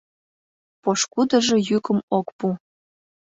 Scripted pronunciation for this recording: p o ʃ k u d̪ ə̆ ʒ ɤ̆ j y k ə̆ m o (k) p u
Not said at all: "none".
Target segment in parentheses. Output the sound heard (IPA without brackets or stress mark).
k